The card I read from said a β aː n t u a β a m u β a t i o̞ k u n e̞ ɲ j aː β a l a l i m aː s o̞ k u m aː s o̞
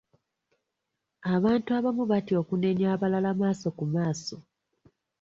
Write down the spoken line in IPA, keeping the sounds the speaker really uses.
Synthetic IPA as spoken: a β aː n t u a β a m u β a t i o̞ k u n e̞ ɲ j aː β a l a l a m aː s o̞ k u m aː s o̞